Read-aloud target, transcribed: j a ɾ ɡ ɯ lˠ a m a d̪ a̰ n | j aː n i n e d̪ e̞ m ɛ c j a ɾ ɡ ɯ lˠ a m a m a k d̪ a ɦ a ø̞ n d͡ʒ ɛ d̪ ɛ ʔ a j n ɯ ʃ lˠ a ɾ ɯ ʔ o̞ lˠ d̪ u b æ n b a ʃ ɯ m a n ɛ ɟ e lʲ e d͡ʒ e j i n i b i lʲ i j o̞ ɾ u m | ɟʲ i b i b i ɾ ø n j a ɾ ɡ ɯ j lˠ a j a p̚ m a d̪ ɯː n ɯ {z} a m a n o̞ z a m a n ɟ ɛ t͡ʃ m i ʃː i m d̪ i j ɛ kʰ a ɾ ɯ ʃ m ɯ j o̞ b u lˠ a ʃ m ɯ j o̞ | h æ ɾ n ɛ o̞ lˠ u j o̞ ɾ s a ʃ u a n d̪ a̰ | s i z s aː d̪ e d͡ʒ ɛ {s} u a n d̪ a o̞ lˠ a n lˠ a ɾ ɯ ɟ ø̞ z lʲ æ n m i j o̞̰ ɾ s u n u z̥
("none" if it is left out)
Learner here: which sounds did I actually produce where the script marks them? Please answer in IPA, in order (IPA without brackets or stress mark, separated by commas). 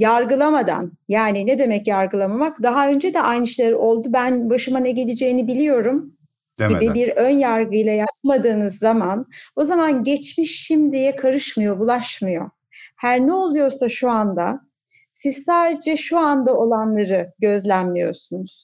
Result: zː, ʃ